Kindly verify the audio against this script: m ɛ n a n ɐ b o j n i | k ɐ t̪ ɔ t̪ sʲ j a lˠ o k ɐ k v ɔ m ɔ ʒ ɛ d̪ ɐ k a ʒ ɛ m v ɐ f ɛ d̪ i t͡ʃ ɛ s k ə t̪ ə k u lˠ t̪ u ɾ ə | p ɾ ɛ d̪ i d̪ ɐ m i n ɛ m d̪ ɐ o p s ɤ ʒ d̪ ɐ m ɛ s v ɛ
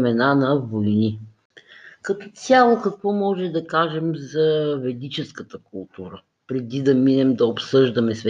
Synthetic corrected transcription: m ɛ n a n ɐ v o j n i | k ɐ t̪ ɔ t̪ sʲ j a lˠ o k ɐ k v ɔ m ɔ ʒ ɛ d̪ ɐ k a ʒ ɛ m z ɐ v ɛ d̪ i t͡ʃ ɛ s k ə t̪ ə k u lˠ t̪ u ɾ ə | p ɾ ɛ d̪ i d̪ ɐ m i n ɛ m d̪ ɐ o p s ɤ ʒ d̪ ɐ m ɛ s v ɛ